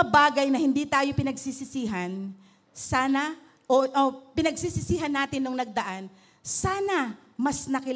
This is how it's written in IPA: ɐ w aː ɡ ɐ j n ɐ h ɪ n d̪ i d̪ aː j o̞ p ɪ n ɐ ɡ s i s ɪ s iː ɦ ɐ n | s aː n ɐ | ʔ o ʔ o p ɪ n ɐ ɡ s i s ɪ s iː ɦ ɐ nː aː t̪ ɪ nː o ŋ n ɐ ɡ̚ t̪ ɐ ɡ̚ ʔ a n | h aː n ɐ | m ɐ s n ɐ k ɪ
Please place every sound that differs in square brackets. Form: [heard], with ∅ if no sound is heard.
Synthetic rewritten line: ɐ [b] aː ɡ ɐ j n ɐ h ɪ n d̪ i [t̪] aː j o̞ p ɪ n ɐ ɡ s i s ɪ s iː ɦ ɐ n | s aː n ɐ | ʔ o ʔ o p ɪ n ɐ ɡ s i s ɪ s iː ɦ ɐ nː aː t̪ ɪ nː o ŋ n ɐ ɡ̚ [d̪] ɐ [∅] ʔ a n | [s] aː n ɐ | m ɐ s n ɐ k ɪ